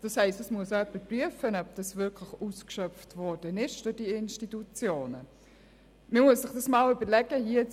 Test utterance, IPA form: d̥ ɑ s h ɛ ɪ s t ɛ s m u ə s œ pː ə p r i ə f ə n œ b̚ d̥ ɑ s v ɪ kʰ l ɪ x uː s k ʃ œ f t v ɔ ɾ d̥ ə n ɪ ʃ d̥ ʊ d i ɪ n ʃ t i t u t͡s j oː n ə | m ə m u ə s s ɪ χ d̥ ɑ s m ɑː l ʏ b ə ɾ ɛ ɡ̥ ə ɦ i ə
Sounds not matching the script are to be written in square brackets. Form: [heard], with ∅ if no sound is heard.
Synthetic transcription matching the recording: d̥ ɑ s h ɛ ɪ s t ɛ s m u ə s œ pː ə p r [y] ə f ə n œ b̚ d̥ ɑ s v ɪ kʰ l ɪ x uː s k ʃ œ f t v ɔ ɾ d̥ ə n ɪ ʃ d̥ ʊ d i ɪ n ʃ t i t u t͡s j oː n ə | m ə m u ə s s ɪ χ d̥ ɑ s m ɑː l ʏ b ə [l] ɛ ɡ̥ ə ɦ i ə